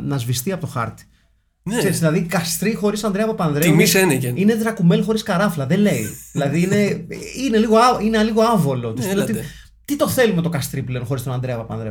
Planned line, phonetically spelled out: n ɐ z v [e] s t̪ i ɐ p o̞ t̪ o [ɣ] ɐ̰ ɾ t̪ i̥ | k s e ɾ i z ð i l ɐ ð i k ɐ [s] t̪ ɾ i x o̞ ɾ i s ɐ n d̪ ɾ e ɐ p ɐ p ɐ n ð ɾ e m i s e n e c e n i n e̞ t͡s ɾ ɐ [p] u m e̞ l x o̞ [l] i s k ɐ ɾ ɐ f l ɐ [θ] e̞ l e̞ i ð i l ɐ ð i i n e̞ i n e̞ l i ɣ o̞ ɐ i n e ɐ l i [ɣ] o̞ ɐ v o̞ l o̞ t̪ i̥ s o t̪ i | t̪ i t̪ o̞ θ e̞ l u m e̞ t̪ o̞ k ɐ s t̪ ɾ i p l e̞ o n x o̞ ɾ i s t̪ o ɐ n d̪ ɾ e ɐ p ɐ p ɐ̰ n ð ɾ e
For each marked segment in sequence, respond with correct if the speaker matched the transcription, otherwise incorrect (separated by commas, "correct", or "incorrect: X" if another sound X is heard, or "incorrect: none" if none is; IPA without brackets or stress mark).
incorrect: i, incorrect: x, correct, incorrect: k, incorrect: ɾ, incorrect: ð, correct